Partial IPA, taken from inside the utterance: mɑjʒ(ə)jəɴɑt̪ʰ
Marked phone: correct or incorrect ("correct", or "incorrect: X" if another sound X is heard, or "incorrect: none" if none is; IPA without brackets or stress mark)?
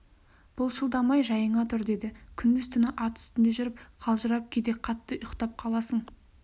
incorrect: ɑ